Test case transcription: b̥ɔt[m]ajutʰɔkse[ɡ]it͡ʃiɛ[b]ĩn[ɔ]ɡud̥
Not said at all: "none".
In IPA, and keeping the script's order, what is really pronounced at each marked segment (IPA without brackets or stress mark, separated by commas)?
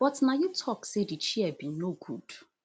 n, d, b, o